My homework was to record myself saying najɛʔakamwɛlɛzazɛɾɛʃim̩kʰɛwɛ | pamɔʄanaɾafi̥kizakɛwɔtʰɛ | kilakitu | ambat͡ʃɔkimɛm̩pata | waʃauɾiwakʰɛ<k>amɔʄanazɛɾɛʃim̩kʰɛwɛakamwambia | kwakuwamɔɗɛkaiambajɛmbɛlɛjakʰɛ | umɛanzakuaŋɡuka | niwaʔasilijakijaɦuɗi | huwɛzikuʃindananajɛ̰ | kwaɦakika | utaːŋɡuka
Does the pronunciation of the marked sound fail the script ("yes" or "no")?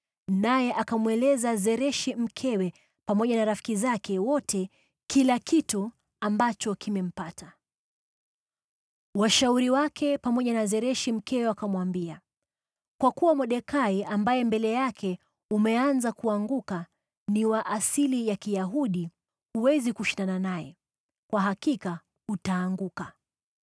yes